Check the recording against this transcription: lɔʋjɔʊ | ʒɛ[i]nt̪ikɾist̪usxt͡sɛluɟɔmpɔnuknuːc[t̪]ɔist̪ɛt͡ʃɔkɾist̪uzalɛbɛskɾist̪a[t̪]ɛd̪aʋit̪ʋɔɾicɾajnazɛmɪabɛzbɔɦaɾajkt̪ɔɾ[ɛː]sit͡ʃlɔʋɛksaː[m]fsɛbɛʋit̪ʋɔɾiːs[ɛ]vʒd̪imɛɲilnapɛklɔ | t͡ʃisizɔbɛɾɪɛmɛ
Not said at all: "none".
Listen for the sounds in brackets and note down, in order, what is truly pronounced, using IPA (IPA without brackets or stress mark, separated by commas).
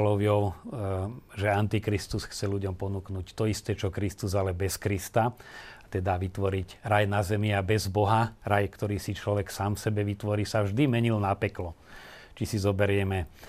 a, t̪, t̪, iː, m, a